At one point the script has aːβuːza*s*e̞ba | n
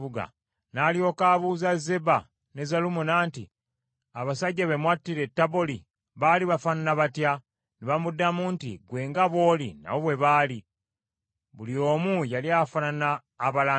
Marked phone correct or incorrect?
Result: incorrect